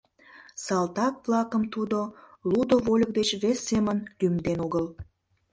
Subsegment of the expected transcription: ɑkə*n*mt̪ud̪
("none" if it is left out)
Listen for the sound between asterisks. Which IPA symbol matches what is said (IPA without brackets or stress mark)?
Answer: none